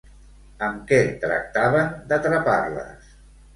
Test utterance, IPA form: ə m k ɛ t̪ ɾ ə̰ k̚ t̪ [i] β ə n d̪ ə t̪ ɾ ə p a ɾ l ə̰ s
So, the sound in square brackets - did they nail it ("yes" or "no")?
no